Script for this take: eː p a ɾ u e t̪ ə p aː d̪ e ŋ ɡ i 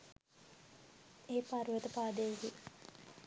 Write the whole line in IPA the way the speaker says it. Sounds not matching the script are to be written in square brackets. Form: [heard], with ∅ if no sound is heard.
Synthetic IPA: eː p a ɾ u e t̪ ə p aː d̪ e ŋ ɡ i